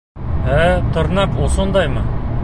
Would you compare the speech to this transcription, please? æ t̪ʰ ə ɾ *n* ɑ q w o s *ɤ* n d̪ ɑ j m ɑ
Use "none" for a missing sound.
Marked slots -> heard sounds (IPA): n, o

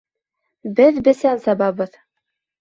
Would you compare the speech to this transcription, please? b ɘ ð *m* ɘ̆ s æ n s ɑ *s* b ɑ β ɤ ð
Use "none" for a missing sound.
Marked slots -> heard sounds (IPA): b, none

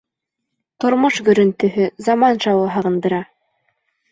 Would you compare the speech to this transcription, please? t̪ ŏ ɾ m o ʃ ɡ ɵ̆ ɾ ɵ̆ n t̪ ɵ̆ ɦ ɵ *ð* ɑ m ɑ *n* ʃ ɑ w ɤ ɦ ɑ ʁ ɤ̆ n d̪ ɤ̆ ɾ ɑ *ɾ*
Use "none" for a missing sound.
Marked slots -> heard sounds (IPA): z, n, none

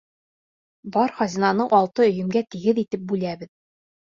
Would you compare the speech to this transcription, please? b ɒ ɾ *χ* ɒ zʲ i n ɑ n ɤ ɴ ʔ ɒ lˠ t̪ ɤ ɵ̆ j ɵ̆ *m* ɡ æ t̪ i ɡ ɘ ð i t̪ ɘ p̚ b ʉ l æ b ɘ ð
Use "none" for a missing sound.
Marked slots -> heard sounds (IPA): χ, m

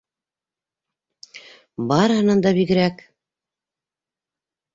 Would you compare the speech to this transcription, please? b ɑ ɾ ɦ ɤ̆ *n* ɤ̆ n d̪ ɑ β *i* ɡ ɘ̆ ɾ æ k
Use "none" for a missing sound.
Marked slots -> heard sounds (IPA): n, i

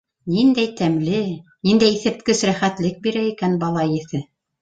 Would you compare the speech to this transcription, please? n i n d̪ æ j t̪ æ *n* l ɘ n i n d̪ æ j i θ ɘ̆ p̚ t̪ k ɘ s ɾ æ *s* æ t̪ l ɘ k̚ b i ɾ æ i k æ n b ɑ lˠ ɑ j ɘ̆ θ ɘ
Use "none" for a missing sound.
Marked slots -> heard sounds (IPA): m, χ

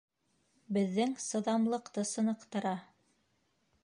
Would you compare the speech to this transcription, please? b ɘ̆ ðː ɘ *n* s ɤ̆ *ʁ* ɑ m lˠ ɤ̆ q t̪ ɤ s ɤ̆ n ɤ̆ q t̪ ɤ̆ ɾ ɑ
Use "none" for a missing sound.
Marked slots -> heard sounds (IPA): ŋ, ð

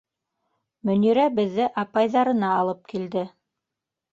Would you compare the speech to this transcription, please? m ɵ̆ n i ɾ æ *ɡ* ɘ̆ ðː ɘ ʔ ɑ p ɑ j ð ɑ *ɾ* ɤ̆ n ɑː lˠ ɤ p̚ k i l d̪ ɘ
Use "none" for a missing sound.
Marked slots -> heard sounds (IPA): b, ɾ

